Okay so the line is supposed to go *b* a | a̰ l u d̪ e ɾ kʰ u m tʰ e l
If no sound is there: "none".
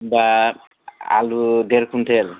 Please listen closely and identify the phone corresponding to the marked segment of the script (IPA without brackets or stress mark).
b